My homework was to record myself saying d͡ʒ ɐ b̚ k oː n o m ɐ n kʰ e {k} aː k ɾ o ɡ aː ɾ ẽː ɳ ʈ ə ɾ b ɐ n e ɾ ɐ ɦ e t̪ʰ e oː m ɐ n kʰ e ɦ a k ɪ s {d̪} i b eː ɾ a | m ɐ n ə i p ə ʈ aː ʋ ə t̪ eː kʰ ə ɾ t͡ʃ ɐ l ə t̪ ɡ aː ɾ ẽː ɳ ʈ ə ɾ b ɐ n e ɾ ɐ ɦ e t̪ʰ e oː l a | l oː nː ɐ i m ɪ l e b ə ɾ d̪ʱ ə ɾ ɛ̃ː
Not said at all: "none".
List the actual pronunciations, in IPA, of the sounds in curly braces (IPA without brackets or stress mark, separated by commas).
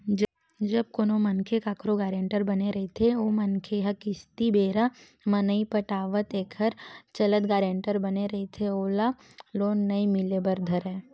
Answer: k, t̪